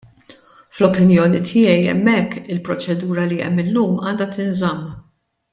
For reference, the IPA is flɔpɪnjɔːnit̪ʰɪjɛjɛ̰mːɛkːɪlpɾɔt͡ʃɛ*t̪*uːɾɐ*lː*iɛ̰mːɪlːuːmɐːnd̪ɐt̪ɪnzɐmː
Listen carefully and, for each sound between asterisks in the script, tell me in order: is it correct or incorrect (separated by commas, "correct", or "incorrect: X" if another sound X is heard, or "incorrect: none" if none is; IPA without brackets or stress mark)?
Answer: incorrect: d̪, incorrect: l